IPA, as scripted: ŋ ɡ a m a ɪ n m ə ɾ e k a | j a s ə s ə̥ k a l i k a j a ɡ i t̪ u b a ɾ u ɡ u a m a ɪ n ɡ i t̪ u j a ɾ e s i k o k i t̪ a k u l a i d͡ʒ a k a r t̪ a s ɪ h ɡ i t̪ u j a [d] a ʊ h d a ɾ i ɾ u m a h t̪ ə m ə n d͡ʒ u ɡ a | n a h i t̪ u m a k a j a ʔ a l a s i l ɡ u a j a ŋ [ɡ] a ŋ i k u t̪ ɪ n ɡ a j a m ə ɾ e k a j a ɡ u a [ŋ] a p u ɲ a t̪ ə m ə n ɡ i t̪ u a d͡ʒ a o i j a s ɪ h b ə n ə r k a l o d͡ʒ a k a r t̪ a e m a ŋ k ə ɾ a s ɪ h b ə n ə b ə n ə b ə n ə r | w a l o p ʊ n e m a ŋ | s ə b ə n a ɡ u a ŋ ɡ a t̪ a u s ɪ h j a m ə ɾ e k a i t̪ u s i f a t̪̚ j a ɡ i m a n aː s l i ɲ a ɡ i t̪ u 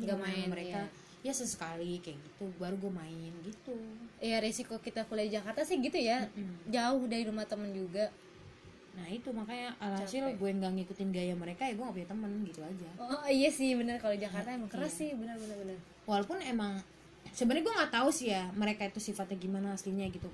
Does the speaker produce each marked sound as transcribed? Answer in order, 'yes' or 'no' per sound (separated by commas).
no, yes, yes